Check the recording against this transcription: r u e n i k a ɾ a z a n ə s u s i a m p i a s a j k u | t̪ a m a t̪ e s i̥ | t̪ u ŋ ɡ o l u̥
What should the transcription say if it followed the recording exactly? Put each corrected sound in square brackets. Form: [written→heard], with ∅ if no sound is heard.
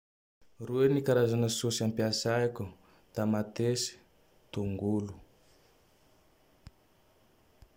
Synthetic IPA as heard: r u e n i k a ɾ a z a n ə s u s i a m p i a s a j k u | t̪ a m a t̪ e s i̥ | t̪ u ŋ ɡ [o→u] l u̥